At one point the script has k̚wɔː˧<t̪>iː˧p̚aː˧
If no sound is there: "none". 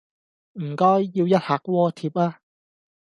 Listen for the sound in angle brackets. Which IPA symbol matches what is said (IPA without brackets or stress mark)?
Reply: t̪ʰ